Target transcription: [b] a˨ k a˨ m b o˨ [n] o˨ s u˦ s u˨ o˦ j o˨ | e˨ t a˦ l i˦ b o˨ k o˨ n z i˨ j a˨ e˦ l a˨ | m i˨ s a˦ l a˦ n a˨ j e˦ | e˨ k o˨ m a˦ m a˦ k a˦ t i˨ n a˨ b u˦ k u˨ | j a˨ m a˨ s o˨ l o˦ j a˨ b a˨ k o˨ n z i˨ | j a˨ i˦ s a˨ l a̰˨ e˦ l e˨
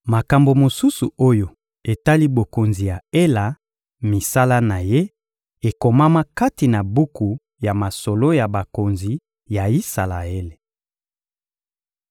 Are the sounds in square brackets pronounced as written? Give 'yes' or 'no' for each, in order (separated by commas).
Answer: no, no